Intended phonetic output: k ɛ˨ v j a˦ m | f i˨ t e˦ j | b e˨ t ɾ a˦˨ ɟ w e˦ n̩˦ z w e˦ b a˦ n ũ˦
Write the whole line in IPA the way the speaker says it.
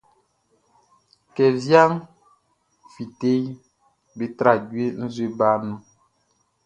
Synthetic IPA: k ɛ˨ v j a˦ ŋ | f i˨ t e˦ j | b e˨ t ɾ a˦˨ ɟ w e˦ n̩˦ z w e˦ b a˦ n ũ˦